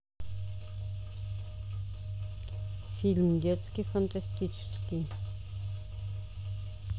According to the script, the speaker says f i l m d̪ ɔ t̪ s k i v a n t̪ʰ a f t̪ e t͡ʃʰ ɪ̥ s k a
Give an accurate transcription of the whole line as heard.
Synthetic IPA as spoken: f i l m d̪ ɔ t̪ s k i f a n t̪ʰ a s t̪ i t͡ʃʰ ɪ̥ s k i